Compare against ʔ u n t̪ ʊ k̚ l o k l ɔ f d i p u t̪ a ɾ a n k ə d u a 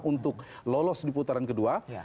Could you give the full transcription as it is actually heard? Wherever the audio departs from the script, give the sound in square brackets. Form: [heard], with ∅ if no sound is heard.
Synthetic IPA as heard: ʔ u n t̪ ʊ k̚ l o [∅] l ɔ [s] d i p u t̪ a ɾ a n k ə d u a